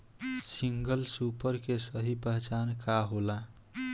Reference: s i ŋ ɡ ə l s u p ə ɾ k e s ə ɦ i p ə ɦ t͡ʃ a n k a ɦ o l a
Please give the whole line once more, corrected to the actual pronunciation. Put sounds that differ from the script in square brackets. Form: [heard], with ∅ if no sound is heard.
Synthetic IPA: s i ŋ ɡ ə l s u p ə ɾ k e s ə ɦ i p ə ɦ t͡ʃ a n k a ɦ o l a